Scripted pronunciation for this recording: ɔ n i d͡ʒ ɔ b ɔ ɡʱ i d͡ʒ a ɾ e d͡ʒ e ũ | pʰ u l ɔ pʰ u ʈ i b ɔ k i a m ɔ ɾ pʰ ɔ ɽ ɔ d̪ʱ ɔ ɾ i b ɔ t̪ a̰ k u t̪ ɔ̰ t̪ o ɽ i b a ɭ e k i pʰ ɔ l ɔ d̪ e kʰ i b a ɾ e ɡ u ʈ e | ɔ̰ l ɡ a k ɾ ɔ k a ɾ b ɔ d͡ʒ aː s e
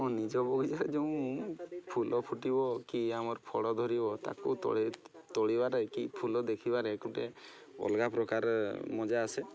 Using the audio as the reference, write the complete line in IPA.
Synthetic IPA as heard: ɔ n i d͡ʒ ɔ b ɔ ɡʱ i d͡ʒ a ɾ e d͡ʒ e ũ | pʰ u l ɔ pʰ u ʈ i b ɔ k i a m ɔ ɾ pʰ ɔ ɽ ɔ d̪ʱ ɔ ɾ i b ɔ t̪ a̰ k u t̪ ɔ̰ t̪ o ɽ i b a ɾ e k i pʰ u l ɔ d̪ e kʰ i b a ɾ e k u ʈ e | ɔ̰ l ɡ a p ɾ ɔ k a ɾ m ɔ d͡ʒ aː s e